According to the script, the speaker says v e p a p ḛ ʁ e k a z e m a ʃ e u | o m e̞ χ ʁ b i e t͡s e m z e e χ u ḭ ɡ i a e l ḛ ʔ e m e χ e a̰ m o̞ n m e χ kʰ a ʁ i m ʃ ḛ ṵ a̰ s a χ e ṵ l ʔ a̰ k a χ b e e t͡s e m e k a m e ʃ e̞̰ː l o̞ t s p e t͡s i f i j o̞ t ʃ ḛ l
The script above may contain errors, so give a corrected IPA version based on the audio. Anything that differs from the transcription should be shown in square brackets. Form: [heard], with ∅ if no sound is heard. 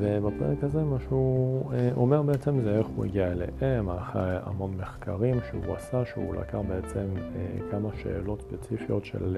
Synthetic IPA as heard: v e [b] a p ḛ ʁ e k a z e m a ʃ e u | o m e̞ [∅] ʁ b [e] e t͡s e m z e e χ u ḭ ɡ i a e l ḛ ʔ e m [a] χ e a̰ m o̞ n m e χ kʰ a ʁ i m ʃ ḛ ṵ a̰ s a [ʃ] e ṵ l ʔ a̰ k a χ b e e t͡s e m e k a m [a] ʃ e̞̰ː l o̞ t s p e t͡s i f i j o̞ t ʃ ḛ l